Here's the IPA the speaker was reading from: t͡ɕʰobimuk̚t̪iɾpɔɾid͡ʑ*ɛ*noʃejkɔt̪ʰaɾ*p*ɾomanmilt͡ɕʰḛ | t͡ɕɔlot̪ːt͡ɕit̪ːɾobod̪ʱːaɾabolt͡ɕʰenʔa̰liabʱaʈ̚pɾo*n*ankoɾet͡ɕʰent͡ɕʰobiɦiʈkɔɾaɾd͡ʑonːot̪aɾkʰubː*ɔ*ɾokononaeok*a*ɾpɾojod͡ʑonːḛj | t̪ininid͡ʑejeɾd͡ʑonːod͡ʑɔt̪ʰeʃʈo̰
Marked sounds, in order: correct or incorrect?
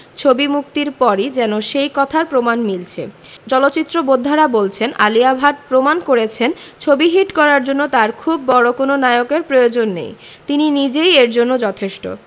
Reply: correct, correct, incorrect, correct, incorrect

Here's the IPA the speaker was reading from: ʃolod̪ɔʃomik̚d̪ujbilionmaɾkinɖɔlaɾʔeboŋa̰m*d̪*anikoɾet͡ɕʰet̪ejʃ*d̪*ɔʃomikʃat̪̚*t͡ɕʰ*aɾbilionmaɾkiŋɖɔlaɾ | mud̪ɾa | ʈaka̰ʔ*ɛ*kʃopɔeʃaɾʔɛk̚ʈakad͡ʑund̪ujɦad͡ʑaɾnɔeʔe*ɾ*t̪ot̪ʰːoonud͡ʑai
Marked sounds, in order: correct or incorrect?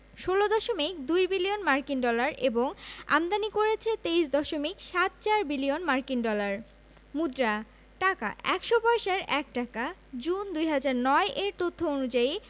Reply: correct, correct, incorrect, correct, correct

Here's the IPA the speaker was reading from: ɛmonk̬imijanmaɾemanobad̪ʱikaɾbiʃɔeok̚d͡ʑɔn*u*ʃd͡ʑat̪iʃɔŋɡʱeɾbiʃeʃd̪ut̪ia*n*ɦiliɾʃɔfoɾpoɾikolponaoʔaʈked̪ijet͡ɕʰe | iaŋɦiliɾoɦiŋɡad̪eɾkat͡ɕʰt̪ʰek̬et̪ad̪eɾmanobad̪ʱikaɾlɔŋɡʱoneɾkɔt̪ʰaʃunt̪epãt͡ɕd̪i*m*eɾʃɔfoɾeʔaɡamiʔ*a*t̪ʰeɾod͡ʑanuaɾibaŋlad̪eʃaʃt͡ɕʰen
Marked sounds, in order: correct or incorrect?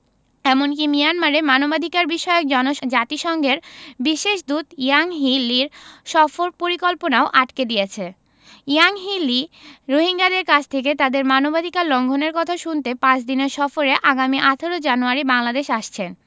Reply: incorrect, incorrect, incorrect, correct

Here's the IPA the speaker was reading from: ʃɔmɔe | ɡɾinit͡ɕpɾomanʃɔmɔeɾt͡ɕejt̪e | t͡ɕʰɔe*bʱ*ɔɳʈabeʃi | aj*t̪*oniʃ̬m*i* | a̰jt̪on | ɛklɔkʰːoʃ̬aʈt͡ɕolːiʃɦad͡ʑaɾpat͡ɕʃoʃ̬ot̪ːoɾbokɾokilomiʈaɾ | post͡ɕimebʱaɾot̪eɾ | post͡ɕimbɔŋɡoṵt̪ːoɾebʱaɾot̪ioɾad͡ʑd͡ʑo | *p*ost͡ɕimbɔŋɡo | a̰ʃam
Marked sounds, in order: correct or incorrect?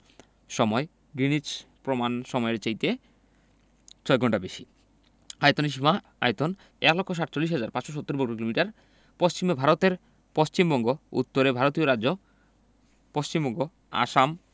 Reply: incorrect, correct, incorrect, correct

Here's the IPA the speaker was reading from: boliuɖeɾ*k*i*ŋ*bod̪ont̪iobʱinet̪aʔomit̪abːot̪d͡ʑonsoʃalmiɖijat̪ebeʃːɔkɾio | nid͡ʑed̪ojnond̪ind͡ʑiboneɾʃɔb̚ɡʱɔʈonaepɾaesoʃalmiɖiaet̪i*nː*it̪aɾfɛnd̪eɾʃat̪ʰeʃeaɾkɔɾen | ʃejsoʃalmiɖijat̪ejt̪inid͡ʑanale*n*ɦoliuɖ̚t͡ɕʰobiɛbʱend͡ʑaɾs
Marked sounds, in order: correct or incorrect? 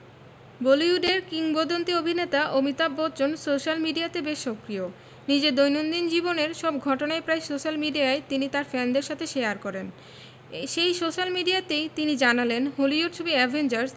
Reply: correct, correct, incorrect, correct

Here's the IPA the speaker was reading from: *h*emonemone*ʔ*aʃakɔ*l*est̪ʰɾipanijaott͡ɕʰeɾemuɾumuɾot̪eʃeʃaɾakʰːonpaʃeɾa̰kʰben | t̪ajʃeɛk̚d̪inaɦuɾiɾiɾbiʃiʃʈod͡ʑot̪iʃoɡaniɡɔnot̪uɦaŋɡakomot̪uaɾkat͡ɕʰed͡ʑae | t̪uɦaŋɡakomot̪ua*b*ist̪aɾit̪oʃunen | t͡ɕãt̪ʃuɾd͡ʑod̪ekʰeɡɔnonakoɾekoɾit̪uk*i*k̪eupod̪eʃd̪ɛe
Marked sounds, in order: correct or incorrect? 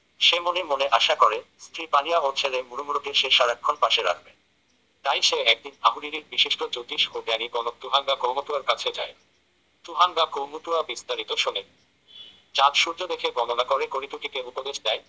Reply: incorrect, correct, incorrect, correct, correct

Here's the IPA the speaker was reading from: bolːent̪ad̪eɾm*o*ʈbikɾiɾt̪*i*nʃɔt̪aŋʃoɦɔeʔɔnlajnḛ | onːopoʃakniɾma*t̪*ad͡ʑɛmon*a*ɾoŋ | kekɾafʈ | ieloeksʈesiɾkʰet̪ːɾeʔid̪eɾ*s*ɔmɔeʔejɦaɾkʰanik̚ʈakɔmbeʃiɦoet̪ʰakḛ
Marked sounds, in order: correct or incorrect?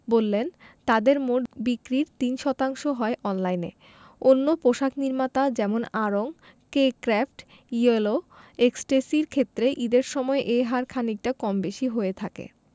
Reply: correct, correct, correct, correct, incorrect

